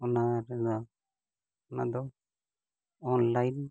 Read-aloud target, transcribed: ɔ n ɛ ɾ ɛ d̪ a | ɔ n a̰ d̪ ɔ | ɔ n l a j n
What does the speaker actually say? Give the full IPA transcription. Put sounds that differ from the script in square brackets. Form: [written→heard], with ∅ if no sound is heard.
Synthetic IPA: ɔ n [ɛ→a] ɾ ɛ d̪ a | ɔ n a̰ d̪ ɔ | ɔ n l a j n